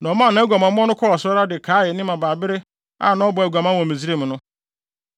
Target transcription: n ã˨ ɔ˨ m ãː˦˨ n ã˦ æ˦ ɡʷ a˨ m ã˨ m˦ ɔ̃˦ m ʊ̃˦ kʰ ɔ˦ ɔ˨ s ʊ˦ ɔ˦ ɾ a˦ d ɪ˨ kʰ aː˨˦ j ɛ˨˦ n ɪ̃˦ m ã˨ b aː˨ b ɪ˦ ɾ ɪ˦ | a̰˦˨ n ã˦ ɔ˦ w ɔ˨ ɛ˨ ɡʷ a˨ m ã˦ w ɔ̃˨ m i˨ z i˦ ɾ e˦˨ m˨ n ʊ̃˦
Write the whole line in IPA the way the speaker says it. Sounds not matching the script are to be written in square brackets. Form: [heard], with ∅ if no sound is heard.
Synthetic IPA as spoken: n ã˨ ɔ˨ m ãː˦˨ n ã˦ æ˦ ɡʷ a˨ m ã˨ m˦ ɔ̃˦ [n] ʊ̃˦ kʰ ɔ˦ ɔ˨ s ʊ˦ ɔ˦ ɾ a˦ d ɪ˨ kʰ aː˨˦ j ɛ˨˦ n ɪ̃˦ m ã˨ b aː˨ b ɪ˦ ɾ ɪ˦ | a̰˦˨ n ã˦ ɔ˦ [b] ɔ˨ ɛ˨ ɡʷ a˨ m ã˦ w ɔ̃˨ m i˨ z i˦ ɾ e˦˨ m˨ n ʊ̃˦